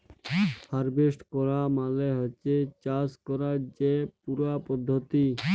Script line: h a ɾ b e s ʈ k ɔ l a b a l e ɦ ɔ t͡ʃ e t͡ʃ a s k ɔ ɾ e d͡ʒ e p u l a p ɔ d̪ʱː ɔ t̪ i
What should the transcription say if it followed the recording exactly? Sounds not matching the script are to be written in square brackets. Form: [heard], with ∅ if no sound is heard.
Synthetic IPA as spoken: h a ɾ b e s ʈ k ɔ [ɾ] a [m] a l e ɦ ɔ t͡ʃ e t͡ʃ a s k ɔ ɾ [a] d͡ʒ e p u [ɾ] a p ɔ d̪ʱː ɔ t̪ i